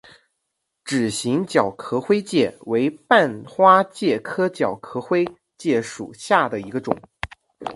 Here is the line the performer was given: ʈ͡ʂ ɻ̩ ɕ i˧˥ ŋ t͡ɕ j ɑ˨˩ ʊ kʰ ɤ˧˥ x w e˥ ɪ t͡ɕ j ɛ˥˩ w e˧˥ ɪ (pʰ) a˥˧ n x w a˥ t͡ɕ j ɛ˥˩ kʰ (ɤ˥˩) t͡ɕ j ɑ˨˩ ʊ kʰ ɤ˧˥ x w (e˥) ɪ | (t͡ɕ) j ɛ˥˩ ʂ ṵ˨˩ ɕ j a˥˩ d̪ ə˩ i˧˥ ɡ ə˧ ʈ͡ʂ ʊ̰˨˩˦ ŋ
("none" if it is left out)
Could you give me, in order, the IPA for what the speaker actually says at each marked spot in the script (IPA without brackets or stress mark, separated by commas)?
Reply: p, ɤ˥, e˥, t͡ɕ